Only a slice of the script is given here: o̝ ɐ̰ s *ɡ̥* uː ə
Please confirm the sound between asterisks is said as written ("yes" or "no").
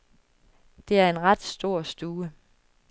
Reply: no